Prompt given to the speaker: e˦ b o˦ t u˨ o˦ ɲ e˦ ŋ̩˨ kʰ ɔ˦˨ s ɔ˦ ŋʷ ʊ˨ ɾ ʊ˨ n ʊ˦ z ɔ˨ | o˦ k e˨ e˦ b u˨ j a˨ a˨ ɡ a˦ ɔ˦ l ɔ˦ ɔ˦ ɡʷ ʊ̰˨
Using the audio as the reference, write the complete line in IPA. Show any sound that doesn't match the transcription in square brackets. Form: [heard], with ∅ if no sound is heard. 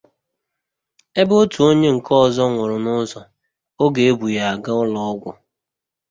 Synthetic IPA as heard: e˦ b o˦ t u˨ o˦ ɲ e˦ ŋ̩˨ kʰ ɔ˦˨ [z] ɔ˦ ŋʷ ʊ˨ ɾ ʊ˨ n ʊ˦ z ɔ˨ | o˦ [ɡ] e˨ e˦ b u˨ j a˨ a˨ ɡ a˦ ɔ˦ l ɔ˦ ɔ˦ ɡʷ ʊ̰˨